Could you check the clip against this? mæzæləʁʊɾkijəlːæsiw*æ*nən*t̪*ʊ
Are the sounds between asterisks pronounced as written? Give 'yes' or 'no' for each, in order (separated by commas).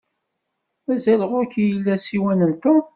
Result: yes, yes